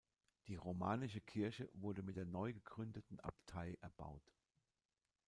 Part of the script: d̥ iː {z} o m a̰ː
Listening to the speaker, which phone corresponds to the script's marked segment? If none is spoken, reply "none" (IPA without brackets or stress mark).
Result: ʁ